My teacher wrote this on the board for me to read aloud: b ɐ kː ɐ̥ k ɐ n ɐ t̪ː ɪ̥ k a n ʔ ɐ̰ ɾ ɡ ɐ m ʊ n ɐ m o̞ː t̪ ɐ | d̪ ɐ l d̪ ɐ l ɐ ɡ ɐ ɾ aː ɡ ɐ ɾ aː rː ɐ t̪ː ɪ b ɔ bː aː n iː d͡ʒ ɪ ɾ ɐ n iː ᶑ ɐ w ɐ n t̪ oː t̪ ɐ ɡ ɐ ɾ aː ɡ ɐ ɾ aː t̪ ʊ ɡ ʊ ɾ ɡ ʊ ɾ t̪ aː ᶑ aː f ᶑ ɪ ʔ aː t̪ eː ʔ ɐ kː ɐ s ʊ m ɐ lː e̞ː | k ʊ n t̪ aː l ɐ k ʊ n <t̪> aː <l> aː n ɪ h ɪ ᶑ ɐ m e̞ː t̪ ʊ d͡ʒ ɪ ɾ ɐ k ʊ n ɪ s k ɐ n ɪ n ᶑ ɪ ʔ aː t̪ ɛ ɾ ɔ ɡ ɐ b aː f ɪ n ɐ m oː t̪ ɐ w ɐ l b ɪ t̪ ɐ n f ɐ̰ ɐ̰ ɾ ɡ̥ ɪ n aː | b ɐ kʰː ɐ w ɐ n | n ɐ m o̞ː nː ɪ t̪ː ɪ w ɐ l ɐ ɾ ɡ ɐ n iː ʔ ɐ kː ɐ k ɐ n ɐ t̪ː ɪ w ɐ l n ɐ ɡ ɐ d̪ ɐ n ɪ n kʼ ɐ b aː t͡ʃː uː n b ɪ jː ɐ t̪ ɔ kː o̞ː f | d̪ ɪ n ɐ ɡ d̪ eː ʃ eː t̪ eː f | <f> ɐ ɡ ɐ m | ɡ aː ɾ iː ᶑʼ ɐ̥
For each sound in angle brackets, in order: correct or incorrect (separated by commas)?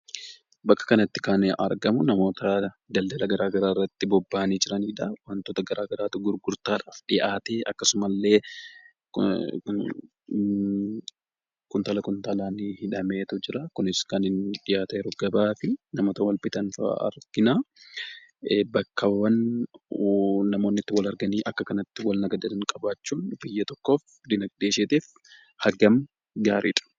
correct, correct, incorrect